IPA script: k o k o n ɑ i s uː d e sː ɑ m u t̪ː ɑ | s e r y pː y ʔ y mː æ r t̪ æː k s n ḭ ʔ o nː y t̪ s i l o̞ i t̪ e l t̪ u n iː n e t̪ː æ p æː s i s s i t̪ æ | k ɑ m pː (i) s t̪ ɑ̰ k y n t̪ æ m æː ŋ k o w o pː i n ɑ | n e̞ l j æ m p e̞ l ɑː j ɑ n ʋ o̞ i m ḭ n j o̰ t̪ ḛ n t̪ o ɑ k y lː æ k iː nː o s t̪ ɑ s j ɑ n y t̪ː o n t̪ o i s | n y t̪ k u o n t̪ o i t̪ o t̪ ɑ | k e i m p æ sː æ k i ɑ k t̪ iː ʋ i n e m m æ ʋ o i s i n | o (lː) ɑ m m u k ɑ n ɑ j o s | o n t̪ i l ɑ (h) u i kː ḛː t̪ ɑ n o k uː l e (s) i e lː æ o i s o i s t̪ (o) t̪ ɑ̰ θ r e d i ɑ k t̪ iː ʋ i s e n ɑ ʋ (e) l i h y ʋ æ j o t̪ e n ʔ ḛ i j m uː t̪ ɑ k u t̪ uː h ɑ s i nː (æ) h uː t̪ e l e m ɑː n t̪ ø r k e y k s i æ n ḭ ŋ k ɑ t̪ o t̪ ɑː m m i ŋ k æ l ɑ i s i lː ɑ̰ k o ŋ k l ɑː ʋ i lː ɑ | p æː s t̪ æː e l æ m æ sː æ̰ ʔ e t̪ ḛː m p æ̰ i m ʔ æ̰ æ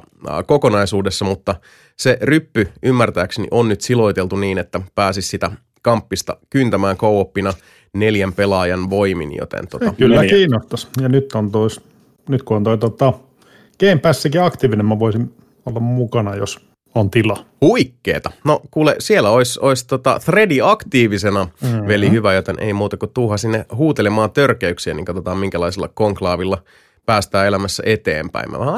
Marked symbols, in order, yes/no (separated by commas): yes, yes, yes, yes, yes, yes, no